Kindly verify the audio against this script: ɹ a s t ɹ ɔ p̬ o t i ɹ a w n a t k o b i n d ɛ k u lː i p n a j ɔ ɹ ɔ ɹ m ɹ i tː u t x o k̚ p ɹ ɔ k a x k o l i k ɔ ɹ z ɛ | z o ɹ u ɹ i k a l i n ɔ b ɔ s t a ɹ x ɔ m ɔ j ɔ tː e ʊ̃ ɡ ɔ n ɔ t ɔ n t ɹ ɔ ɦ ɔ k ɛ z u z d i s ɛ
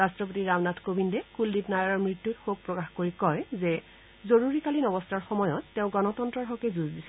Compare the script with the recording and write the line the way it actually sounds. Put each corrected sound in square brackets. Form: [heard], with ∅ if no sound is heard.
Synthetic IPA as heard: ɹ a s t ɹ ɔ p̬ o t i ɹ a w n a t k o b i n d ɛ k u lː i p n a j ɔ ɹ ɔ ɹ m ɹ i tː u t x o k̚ p ɹ ɔ k a x k o [ɹ] i k ɔ ɹ z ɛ | z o ɹ u ɹ i k a l i n ɔ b ɔ s t a ɹ x ɔ m ɔ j ɔ tː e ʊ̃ ɡ ɔ n ɔ t ɔ n t ɹ ɔ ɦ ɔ k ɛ z u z d i s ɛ